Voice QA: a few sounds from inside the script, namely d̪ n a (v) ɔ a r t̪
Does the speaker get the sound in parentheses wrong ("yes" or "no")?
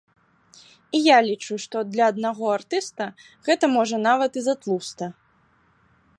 yes